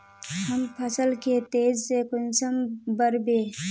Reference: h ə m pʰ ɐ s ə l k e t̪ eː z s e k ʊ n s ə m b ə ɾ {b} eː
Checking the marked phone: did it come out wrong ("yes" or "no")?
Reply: no